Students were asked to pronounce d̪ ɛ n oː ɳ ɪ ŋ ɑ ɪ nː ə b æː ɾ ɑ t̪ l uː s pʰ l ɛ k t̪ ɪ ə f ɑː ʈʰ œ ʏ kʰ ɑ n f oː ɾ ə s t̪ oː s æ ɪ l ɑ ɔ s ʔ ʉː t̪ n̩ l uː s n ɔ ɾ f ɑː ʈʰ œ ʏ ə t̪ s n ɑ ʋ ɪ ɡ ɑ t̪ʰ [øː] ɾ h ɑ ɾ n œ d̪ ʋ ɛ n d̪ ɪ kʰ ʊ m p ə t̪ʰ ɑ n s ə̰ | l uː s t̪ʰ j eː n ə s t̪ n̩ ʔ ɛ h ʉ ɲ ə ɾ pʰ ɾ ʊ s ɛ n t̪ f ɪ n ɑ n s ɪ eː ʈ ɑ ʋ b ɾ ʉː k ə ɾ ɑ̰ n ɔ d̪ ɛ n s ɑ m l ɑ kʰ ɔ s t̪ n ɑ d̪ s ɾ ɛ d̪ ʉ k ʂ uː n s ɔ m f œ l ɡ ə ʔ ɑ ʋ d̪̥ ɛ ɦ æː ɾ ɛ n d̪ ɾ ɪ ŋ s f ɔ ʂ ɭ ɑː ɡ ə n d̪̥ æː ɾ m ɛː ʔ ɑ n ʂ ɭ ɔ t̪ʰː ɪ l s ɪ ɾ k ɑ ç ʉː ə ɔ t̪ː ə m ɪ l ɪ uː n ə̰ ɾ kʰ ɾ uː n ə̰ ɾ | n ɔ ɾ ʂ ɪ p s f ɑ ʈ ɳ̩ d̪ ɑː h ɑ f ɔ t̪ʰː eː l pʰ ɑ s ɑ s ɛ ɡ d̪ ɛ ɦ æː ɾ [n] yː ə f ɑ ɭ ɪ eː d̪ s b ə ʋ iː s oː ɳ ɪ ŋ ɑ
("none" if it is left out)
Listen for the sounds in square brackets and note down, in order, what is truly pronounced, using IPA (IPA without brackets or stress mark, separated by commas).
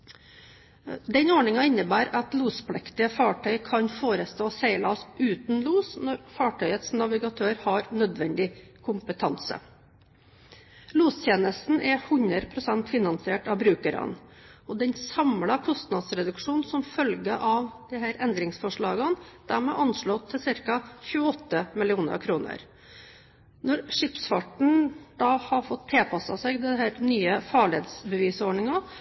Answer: øː, n